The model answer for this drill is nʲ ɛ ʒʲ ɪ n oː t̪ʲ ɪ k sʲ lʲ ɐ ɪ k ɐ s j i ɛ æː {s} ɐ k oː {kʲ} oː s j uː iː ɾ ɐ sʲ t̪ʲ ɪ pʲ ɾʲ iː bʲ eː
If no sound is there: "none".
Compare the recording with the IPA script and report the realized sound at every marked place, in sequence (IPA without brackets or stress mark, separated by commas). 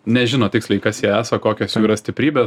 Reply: s, kʲ